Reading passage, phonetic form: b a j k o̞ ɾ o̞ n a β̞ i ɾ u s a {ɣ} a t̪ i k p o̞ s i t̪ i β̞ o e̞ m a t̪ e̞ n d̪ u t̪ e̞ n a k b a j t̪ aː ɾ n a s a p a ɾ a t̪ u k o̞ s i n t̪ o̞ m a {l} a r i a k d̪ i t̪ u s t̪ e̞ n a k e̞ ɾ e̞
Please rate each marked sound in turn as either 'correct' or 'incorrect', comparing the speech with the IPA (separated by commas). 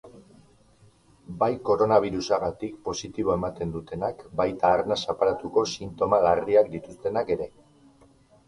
correct, correct